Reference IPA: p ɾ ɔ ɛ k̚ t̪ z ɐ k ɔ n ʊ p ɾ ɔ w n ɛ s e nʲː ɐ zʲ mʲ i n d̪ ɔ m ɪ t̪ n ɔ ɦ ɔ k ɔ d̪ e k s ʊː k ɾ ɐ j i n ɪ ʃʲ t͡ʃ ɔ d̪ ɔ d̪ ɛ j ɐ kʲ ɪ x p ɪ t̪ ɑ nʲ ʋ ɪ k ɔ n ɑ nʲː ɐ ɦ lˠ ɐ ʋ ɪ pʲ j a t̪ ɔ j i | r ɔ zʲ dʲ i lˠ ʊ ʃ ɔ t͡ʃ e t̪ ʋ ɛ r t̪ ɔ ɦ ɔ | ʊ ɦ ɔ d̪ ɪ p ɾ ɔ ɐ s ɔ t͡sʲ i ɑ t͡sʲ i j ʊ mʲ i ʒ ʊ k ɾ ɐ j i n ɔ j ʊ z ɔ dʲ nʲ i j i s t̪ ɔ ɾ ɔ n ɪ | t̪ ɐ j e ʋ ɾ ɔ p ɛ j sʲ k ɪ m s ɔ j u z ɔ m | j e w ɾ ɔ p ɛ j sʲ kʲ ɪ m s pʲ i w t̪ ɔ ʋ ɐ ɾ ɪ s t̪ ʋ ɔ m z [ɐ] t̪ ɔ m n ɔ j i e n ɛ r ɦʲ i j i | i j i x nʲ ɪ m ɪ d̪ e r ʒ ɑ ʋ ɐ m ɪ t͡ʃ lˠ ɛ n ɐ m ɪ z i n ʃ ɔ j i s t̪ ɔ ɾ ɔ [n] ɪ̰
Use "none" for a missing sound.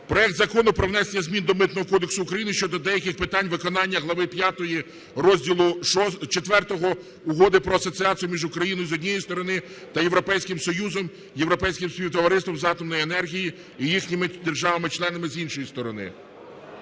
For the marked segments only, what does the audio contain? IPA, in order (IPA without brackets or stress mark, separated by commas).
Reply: ɑ, n